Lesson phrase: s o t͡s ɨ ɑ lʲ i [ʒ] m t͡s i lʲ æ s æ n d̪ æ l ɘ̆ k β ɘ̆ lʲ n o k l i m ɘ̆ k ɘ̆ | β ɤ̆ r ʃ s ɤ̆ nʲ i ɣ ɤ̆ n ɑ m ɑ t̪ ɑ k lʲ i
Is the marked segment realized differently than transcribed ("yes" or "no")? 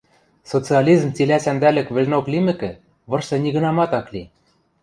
yes